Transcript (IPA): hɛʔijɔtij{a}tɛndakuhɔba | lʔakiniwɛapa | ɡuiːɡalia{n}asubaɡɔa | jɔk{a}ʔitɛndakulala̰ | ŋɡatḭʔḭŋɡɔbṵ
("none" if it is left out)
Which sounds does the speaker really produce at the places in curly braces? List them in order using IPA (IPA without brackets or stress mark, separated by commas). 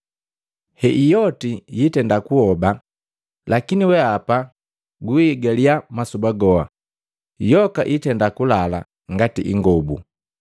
i, m, a